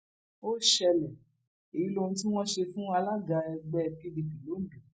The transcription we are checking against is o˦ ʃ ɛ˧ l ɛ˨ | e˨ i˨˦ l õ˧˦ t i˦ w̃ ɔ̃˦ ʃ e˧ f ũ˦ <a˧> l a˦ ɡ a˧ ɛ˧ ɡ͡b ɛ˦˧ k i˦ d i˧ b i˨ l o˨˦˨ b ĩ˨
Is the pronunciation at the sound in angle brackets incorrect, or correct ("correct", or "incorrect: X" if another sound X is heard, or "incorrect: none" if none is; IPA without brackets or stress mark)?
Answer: correct